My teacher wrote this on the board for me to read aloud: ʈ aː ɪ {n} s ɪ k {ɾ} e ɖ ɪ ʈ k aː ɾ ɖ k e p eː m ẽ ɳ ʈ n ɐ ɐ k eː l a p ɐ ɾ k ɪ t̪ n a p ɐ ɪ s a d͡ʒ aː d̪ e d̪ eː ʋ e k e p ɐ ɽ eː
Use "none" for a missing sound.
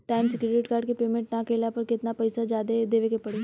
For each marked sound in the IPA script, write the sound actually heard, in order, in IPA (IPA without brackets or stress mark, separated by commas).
m, ɾ